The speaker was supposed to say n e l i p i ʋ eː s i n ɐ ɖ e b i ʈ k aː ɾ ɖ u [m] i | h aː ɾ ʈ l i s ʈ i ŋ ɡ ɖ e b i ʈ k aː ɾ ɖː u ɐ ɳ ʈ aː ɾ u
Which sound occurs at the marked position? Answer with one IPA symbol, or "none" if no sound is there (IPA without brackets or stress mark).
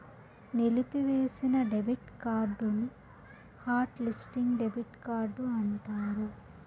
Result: n